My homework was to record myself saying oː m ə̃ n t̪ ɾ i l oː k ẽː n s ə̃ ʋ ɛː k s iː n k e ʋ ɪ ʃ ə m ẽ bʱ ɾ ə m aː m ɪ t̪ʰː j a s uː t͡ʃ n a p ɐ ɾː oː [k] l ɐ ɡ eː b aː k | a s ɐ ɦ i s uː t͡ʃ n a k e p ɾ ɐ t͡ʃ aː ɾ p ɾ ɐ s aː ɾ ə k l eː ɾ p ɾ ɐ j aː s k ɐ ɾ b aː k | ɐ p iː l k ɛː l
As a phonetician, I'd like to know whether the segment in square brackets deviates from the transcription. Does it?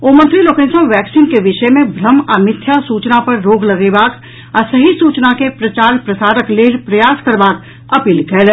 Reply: yes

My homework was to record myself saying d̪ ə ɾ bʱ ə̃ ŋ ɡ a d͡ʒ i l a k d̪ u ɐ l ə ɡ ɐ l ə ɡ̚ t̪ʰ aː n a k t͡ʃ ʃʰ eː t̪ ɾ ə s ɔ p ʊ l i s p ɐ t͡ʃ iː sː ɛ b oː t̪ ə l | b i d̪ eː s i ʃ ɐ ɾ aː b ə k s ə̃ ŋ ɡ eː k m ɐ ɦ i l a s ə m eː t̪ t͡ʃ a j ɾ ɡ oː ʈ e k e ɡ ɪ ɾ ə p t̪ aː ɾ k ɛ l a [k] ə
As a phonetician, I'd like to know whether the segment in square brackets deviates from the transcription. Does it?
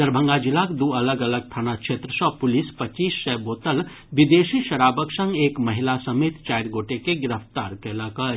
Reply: no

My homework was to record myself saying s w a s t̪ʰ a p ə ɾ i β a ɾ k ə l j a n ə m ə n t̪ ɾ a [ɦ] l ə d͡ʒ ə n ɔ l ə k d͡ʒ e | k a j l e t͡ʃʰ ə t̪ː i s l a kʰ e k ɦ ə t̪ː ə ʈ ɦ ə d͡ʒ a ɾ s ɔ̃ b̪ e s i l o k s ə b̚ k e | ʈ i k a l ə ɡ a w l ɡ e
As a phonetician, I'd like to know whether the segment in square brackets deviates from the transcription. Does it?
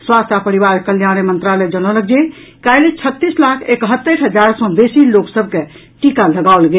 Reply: yes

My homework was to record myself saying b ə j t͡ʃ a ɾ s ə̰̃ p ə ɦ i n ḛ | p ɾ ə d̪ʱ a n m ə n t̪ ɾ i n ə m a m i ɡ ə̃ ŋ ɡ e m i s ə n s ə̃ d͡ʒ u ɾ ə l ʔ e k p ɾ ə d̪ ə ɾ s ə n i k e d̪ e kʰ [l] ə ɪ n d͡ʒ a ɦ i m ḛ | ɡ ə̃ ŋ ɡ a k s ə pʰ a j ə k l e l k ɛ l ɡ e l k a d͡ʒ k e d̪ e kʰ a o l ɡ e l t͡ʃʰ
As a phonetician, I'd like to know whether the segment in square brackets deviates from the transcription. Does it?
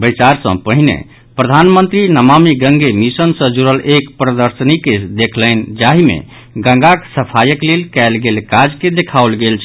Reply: no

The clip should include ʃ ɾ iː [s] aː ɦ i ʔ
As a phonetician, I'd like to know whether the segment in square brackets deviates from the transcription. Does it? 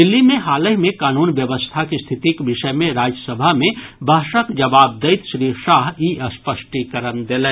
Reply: yes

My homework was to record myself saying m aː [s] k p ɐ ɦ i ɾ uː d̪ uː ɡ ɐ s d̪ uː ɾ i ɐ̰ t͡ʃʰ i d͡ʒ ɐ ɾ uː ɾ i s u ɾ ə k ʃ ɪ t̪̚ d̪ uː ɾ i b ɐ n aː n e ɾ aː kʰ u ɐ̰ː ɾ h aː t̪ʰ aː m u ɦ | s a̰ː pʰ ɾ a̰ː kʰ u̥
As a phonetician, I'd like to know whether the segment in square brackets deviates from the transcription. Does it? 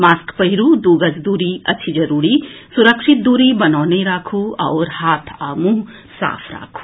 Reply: no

